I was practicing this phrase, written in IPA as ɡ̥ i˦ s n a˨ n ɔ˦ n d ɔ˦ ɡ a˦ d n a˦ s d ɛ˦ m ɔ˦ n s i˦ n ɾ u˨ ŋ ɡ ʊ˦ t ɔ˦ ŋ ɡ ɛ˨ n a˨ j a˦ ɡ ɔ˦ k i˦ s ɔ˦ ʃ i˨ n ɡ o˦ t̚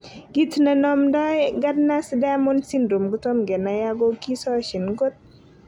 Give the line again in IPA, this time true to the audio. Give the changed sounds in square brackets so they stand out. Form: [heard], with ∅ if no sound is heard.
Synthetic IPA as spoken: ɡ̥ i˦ [t] n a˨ n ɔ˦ [m] d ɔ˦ ɡ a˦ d n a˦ s d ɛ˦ m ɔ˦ n s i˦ n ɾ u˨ [m] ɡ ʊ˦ t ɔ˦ [m] ɡ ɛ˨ n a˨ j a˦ ɡ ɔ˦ k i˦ s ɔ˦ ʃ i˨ n ɡ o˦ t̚